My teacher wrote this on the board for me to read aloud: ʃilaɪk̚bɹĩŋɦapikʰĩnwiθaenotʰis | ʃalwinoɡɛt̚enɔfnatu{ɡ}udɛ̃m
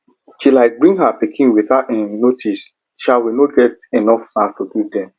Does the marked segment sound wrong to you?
yes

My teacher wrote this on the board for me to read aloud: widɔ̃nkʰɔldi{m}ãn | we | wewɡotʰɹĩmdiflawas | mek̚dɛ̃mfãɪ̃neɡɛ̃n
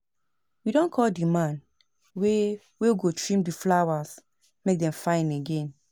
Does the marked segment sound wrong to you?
no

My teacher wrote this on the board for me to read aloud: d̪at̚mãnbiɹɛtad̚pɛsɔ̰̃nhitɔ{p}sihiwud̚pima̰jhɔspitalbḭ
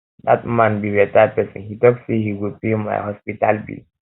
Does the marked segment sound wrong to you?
yes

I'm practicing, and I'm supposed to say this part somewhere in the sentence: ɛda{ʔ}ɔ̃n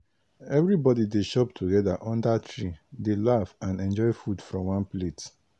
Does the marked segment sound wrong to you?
no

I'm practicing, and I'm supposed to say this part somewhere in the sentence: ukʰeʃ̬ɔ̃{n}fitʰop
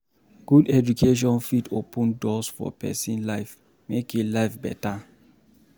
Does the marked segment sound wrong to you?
no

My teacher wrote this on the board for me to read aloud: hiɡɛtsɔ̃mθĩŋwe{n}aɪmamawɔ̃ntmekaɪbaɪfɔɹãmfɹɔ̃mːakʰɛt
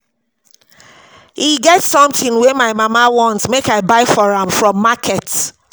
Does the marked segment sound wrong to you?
yes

